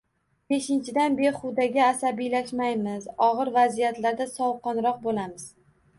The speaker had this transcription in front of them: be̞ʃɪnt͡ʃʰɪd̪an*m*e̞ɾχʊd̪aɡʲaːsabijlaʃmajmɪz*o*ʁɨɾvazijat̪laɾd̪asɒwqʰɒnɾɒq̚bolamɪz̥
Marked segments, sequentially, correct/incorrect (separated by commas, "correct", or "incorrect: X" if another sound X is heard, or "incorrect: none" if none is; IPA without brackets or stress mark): incorrect: b, incorrect: ɒ